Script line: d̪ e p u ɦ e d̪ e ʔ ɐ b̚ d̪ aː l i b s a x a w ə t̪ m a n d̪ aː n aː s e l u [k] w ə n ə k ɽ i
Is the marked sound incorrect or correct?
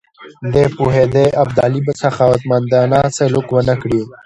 correct